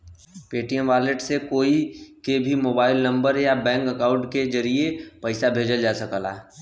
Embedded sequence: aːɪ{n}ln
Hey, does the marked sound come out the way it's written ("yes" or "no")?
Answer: no